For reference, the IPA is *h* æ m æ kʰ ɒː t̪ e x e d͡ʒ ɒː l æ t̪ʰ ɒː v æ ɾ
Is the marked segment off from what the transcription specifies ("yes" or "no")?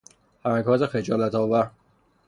no